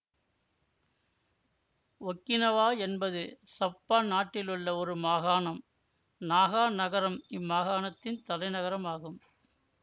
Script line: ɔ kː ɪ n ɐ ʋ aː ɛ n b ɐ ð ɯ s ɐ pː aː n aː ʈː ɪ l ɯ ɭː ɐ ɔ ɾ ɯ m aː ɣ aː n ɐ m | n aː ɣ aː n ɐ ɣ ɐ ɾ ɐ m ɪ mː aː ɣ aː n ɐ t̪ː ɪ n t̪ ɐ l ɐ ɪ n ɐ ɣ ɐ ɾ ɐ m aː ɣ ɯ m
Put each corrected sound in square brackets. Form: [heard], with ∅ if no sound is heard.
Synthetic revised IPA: ɔ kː ɪ n ɐ ʋ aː ɛ n b ɐ ð ɯ s ɐ pː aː n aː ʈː ɪ l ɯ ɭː ɐ ɔ ɾ ɯ m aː ɣ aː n ɐ m | n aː ɣ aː n ɐ ɣ ɐ ɾ ɐ m ɪ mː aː ɣ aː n ɐ t̪ː ɪ n t̪ ɐ l ɐ ɪ n ɐ ɣ ɐ ɾ ɐ m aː ɣ ɯ m